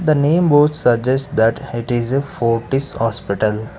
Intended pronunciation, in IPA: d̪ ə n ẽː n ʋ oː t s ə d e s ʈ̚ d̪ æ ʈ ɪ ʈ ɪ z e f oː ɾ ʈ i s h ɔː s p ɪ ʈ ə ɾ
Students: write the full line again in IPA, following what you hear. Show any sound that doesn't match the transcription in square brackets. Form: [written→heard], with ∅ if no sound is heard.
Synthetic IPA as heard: d̪ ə n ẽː [n→m] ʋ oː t s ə [d→d͡ʒ] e s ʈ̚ d̪ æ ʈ ɪ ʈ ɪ z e f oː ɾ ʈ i s h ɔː s p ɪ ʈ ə [ɾ→l]

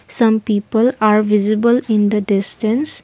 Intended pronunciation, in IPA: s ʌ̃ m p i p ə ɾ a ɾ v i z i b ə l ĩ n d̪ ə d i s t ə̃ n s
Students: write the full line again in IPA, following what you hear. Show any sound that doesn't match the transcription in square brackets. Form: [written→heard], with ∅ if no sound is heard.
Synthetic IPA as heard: s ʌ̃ m p i p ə [ɾ→l] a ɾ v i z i b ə l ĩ n d̪ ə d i s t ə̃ n s

